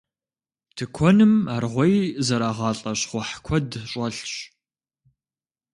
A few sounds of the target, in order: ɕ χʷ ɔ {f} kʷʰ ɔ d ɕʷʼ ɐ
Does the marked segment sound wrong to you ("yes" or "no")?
yes